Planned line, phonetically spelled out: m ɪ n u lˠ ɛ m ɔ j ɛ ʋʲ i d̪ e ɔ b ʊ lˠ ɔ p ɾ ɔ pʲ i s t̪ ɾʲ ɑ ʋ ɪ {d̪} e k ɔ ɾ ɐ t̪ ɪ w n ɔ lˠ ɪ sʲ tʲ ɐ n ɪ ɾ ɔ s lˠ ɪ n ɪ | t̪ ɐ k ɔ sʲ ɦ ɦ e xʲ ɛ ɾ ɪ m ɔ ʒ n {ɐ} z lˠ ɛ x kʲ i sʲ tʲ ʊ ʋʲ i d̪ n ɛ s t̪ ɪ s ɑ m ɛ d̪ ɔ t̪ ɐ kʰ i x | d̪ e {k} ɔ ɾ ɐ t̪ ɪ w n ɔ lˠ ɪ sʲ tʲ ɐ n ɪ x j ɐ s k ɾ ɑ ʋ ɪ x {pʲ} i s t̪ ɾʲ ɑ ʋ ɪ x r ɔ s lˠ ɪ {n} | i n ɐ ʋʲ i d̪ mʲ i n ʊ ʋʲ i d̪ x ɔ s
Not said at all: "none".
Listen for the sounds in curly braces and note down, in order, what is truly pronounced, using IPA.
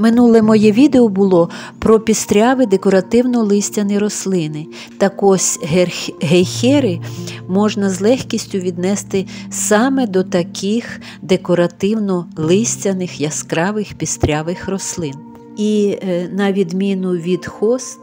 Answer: d̪, ɐ, k, pʲ, n

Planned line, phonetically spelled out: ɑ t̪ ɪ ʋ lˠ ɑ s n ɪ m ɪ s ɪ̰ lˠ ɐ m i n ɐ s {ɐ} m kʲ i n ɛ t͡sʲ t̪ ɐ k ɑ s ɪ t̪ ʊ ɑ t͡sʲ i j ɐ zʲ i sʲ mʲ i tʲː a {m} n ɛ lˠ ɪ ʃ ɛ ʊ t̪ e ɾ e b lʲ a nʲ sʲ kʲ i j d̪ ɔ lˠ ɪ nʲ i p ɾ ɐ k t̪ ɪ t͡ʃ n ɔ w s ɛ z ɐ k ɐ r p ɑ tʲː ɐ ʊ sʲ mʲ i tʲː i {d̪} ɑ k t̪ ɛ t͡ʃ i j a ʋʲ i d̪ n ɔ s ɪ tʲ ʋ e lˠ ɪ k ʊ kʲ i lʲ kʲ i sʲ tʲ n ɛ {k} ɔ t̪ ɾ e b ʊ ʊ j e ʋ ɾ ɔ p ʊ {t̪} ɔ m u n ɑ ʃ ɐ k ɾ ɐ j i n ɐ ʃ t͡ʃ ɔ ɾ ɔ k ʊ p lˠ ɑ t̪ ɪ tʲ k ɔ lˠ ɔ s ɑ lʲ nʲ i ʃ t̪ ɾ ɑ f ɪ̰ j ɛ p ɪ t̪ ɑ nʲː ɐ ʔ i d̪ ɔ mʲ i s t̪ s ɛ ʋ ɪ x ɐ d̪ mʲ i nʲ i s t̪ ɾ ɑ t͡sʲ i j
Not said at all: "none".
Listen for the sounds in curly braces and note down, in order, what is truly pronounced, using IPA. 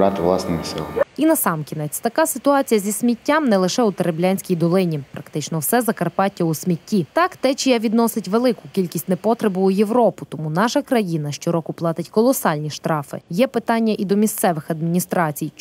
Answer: ɑ, m, t̪, p, t̪

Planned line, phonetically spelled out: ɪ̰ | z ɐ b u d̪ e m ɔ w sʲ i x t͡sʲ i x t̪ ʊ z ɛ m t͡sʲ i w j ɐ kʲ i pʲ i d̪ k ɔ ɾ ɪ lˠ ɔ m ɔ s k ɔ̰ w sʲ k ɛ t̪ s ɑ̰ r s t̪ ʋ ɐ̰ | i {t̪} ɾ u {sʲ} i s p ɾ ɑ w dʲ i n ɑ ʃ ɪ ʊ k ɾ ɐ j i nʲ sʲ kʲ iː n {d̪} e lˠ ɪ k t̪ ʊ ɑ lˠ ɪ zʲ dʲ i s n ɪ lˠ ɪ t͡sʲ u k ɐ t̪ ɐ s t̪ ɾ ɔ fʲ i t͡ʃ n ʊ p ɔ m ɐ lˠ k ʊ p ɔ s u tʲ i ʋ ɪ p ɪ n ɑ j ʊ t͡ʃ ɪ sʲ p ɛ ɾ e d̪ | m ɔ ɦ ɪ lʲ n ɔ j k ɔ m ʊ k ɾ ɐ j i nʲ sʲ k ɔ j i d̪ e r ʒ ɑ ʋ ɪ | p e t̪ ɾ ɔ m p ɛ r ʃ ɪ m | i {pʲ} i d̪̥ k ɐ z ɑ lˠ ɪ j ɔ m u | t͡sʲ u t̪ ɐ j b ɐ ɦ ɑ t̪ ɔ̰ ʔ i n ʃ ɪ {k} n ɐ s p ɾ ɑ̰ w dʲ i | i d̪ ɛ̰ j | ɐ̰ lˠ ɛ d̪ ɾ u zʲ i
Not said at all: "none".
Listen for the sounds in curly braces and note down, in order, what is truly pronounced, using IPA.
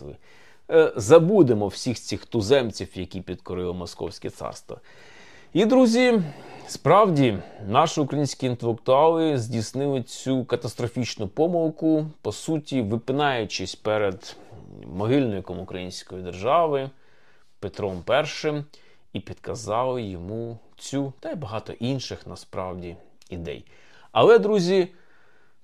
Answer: d̪, zʲ, t̪, pʲ, x

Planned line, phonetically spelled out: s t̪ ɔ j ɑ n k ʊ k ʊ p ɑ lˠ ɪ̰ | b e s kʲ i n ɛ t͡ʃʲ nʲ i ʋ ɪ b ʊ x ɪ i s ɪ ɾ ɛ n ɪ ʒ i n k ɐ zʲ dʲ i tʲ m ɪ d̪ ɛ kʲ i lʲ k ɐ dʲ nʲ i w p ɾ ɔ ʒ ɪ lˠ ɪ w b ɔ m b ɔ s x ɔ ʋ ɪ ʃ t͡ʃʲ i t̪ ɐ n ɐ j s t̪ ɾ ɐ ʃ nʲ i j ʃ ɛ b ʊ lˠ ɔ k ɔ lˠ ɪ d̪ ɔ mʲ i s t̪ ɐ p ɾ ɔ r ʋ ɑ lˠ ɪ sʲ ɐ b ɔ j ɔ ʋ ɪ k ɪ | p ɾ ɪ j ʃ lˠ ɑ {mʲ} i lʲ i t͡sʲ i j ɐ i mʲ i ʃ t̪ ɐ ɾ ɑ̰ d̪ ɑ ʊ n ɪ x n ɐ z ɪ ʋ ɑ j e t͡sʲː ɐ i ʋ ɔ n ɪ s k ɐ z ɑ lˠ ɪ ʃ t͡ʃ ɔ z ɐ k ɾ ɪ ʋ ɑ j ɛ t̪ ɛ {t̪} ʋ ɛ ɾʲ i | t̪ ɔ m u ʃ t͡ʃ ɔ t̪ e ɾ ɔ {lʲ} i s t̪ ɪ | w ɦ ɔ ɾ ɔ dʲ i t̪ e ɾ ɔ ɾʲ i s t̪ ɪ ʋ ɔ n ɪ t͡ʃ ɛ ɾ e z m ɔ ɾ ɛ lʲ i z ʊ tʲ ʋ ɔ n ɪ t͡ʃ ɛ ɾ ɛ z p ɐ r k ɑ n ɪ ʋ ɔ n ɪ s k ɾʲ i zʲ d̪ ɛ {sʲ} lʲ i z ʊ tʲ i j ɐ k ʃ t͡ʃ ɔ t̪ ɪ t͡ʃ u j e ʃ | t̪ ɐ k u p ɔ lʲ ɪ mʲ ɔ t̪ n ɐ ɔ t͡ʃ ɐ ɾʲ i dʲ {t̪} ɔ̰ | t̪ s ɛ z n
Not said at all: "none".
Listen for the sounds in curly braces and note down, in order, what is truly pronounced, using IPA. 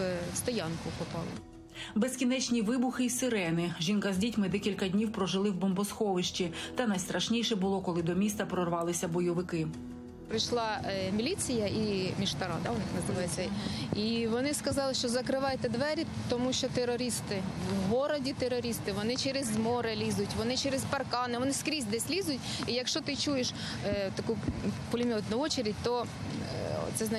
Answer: mʲ, d̪, ɾʲ, sʲ, t̪

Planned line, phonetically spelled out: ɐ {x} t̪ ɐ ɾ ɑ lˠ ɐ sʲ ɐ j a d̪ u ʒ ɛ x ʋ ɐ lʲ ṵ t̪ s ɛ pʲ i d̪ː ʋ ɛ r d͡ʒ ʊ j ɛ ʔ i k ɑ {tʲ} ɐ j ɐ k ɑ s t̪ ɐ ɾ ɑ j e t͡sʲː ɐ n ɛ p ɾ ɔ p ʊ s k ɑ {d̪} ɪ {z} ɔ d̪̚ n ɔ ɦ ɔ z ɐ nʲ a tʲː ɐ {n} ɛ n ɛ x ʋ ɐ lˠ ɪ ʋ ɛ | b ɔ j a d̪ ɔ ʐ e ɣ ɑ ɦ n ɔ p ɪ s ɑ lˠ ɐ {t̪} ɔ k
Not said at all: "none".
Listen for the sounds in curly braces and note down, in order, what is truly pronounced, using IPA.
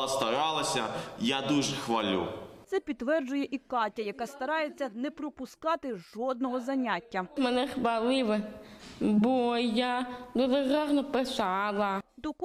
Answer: s, tʲ, t̪, ʒ, m, d̪

